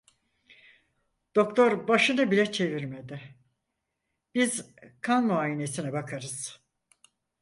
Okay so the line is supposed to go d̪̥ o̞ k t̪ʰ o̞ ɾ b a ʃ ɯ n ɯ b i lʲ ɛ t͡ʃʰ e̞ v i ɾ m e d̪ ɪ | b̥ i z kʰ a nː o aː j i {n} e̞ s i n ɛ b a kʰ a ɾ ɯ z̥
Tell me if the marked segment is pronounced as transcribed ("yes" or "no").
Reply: yes